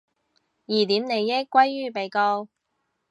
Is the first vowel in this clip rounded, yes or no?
no